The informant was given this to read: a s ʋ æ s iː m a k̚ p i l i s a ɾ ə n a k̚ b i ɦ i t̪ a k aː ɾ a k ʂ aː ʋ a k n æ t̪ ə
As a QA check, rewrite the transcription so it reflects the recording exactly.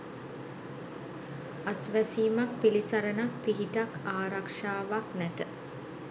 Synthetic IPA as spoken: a s ʋ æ s iː m a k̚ p i l i s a ɾ ə n a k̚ p i ɦ i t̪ a k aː ɾ a k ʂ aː ʋ a k n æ t̪ ə

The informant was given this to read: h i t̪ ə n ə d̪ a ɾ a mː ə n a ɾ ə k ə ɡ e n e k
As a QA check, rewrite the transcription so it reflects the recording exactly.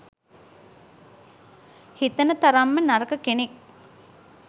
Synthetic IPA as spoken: h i t̪ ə n ə t̪ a ɾ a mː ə n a ɾ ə k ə k e n e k

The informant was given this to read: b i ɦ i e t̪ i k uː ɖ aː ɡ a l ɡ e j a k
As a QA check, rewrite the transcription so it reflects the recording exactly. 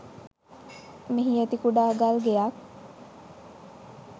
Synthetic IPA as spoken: m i ɦ i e t̪ i k u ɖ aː ɡ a l ɡ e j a k

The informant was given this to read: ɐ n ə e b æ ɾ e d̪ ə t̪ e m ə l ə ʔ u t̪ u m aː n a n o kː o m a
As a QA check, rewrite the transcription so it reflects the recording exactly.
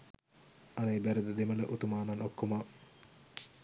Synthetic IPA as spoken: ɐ n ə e b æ ɾ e d̪ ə d̪ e m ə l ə ʔ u t̪ u m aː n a n o kː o m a

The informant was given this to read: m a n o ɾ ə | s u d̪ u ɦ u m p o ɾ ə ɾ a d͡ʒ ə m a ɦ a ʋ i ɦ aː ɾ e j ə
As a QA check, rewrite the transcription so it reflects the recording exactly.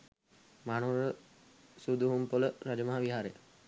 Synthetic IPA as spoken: m a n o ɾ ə | s u d̪ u ɦ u m p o l ə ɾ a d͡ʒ ə m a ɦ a ʋ i ɦ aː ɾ e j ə

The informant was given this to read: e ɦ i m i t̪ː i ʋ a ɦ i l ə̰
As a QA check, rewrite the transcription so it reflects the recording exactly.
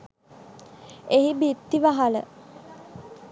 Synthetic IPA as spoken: e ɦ i b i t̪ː i ʋ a ɦ a l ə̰

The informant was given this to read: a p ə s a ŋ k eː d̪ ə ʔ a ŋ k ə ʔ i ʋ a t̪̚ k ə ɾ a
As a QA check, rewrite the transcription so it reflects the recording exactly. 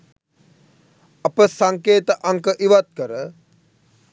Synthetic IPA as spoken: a p ə s a ŋ k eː t̪ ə ʔ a ŋ k ə ʔ i ʋ a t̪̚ k ə ɾ ə

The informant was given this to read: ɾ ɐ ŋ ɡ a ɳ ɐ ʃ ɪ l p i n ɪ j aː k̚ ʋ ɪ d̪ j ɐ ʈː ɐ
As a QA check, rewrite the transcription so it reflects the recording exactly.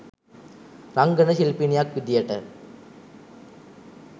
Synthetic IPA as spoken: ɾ ɐ ŋ ɡ ɐ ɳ ɐ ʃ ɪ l p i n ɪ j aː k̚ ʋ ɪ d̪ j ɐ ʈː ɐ

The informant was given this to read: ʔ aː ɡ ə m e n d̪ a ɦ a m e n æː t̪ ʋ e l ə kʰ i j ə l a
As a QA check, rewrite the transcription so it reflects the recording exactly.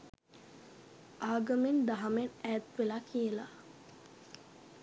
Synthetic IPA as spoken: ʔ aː ɡ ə m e n d̪ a ɦ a m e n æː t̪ ʋ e l a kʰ i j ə l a

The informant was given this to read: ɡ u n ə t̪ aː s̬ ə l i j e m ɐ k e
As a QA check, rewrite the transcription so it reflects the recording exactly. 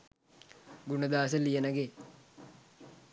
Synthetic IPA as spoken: ɡ u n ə d̪ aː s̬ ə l i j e n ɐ ɡ e

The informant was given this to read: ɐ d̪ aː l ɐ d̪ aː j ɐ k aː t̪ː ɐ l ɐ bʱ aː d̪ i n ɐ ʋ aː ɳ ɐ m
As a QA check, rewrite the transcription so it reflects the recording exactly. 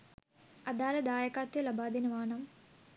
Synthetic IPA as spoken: ɐ d̪ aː l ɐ d̪ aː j ɐ k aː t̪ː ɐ l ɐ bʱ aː d̪ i n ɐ ʋ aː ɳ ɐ m

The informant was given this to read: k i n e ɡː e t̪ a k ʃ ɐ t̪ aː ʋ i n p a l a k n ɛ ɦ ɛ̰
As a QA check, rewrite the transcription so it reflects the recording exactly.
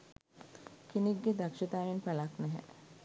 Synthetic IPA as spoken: k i n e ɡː e d̪ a k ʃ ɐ t̪ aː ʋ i n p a l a k n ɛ ɦ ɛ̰

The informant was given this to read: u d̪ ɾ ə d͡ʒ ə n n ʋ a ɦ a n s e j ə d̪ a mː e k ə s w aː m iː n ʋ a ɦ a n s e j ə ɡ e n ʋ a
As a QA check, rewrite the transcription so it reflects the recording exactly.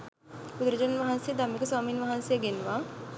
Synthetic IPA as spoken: u d̪ ɾ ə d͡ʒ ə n n ʋ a ɦ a n s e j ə d̪ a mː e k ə s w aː m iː n ʋ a ɦ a n s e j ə ɡ e n ʋ a

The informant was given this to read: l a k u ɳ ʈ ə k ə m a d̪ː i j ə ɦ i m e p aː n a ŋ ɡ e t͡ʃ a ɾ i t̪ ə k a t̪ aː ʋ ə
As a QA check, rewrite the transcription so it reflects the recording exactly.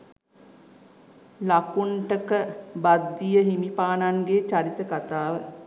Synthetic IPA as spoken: l a k u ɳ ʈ ə k ə b a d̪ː i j ə ɦ i m i p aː n a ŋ ɡ e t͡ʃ a ɾ i t̪ ə k a t̪ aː ʋ ə

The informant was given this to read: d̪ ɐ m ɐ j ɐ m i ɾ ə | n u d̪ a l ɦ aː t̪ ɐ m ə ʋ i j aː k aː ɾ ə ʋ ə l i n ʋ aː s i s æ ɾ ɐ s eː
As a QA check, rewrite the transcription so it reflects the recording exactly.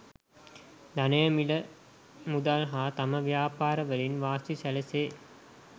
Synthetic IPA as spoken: d̪ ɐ n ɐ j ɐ m i l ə | m u d̪ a l ɦ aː t̪ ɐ m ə ʋ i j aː p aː ɾ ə ʋ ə l i n ʋ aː s i s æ l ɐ s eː

